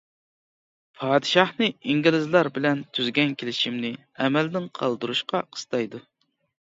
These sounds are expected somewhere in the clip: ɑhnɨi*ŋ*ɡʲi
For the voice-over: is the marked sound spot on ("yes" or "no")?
yes